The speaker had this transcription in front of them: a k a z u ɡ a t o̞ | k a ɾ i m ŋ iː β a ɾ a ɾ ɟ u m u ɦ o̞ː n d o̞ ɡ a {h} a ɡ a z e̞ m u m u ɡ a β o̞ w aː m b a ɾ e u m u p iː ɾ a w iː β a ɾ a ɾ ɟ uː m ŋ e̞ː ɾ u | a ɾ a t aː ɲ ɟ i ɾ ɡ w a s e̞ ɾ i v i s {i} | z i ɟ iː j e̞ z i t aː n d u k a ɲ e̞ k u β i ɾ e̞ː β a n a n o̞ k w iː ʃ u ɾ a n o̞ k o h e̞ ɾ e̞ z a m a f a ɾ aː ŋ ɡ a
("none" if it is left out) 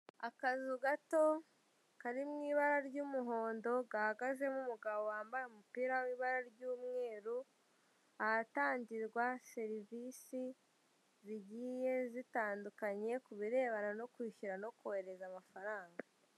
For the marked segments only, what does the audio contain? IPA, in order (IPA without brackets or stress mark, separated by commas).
h, i